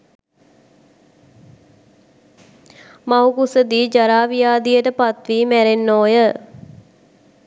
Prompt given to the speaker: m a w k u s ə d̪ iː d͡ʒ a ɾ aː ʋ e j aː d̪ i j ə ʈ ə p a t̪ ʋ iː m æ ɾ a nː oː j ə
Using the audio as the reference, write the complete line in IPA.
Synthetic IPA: m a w k u s ə d̪ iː d͡ʒ a ɾ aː ʋ i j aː d̪ i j ə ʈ ə p a t̪ ʋ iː m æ ɾ e nː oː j ə

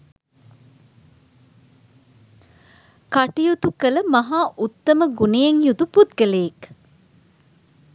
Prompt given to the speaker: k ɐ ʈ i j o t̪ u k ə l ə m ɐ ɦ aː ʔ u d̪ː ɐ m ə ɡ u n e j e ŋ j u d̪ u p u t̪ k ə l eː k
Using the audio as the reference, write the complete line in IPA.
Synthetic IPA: k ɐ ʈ i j u t̪ u k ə l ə m ɐ ɦ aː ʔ u t̪ː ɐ m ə ɡ u n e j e ŋ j u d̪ u p u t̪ ɡ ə l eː k

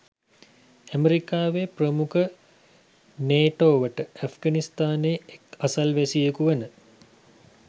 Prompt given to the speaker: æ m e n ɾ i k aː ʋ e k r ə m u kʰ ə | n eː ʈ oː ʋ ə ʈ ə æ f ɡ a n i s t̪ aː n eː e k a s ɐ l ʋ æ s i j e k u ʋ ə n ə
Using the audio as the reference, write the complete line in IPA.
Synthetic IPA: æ m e ɾ i k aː ʋ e p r ə m u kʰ ə | n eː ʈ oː ʋ ə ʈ ə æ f ɡ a n i s t̪ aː n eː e k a s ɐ l ʋ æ s i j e k u ʋ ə n ə

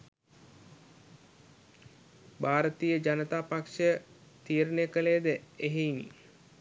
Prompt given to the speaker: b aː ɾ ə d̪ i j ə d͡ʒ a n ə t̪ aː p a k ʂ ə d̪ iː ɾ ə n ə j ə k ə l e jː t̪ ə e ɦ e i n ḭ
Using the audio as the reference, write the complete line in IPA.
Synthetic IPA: b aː ɾ ə t̪ i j ə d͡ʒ a n ə t̪ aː p a k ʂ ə t̪ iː ɾ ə n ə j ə k ə l e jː d̪ ə e ɦ e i n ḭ

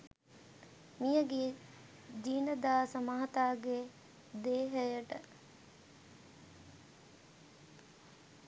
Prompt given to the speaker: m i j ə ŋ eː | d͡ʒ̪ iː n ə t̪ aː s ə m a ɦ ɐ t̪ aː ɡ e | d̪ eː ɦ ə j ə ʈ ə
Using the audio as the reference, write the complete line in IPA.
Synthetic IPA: m i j ə ɡ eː | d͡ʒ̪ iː n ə d̪ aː s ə m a ɦ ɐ t̪ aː ɡ e | d̪ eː ɦ ə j ə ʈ ə

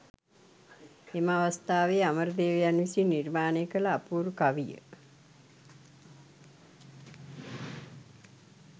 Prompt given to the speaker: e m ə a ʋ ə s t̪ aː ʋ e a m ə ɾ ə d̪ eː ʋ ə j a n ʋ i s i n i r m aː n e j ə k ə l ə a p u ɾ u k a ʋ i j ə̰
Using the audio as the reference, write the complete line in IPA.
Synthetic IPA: e m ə a ʋ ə s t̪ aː ʋ e a m ə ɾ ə d̪ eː ʋ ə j a n ʋ i s i n i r m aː n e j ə k ə l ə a p uː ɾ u k a ʋ i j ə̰

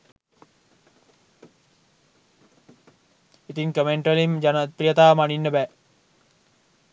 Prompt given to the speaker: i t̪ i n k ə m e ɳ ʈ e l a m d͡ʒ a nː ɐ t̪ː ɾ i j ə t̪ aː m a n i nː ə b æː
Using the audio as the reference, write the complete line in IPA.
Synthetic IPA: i t̪ i ŋ k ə m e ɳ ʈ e l i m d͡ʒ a n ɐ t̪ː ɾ i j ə t̪ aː m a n i nː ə b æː

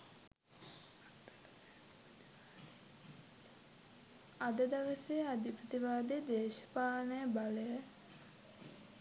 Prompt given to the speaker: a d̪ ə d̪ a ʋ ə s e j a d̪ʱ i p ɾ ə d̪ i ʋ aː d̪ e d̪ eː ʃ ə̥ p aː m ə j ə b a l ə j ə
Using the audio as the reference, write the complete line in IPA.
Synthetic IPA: a d̪ ə d̪ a ʋ ə s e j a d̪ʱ i p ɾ ə t̪ i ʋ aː d̪ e d̪ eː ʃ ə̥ p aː n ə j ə b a l ə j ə

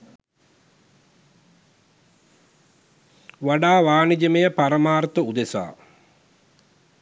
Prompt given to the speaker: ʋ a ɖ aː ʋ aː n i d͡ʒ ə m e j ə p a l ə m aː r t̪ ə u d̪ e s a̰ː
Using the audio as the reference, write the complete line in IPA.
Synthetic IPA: ʋ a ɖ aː ʋ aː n i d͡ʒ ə m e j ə p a ɾ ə m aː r t̪ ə u d̪ e s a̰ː

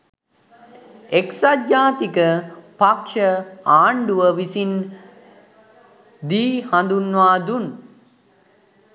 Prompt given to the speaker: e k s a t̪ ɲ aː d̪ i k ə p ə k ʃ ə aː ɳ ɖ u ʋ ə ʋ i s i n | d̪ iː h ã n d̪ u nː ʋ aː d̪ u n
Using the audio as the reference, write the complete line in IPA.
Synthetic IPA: e k s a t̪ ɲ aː t̪ i k ə p a k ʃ ə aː ɳ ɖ u ʋ ə ʋ i s i n | d̪ iː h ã n d̪ u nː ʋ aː d̪ u n

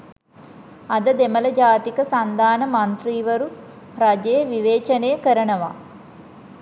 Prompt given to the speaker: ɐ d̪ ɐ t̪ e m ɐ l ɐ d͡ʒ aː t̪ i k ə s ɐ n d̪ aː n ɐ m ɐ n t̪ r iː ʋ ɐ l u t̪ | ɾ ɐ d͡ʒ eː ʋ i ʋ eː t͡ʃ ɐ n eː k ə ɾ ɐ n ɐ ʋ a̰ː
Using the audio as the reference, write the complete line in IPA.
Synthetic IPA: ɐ d̪ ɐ d̪ e m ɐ l ɐ d͡ʒ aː t̪ i k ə s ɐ n d̪ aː n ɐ m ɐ n t̪ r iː ʋ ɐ ɾ u | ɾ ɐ d͡ʒ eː ʋ i ʋ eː t͡ʃ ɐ n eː k ə ɾ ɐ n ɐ ʋ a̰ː

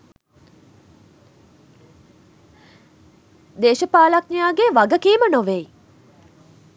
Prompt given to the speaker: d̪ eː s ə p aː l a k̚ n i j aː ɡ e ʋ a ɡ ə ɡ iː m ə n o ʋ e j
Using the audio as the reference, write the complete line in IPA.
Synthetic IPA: d̪ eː ʃ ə p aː l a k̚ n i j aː ɡ e ʋ a ɡ ə k iː m ə n o ʋ e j

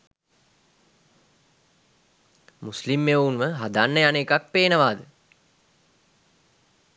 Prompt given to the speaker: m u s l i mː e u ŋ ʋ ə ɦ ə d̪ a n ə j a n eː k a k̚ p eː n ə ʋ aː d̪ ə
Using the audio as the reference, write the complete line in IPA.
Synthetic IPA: m u s l i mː e u n ʋ ə ɦ a d̪ a nː ə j a n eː k a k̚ p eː n ə ʋ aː d̪ ə

